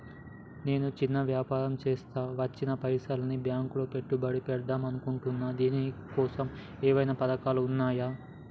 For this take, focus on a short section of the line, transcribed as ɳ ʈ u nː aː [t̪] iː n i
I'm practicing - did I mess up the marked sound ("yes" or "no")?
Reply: yes